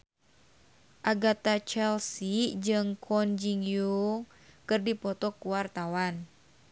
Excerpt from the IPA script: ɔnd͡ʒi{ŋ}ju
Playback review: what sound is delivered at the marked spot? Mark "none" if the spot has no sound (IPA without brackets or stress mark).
ŋ